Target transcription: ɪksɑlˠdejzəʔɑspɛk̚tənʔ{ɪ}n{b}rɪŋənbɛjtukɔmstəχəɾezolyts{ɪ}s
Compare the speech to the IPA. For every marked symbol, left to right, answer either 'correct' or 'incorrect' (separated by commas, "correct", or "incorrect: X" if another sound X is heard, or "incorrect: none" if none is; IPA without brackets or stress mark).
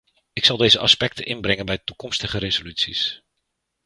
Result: correct, correct, incorrect: i